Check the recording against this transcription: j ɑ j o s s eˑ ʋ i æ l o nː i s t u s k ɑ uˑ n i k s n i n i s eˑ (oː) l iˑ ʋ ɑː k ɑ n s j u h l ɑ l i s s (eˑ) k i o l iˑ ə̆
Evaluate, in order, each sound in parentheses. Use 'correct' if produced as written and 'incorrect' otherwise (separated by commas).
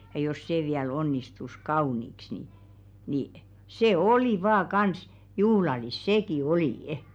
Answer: incorrect, correct